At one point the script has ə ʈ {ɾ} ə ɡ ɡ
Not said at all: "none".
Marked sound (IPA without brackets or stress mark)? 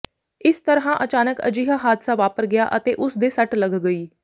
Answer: l